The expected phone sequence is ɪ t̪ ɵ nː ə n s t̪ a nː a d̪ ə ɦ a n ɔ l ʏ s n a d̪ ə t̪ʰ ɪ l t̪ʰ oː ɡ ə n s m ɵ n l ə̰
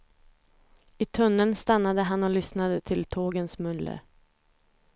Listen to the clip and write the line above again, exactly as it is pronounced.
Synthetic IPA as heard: ɪ t̪ʰ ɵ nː ə n s t̪ a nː a d̪ ə ɦ a n ɔ l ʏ s n a d̪ ə t̪ʰ ɪ l t̪ʰ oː ɡ ə n s m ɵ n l ə̰